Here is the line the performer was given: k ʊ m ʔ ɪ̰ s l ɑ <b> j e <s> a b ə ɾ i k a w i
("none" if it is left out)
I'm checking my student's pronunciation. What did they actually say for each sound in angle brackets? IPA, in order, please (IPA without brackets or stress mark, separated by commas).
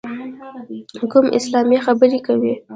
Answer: m, x